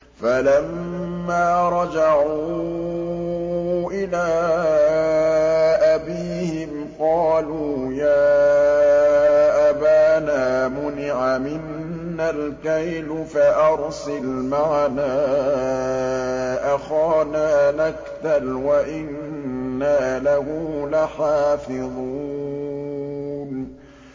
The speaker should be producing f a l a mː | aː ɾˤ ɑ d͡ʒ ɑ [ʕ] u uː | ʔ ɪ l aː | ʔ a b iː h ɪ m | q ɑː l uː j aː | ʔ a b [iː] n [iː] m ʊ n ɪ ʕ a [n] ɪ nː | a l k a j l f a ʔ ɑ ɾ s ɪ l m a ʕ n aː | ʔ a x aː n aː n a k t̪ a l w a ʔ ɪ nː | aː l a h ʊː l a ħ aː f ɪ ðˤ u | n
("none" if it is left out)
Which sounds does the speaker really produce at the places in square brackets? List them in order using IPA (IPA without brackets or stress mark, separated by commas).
ʕ, aː, aː, m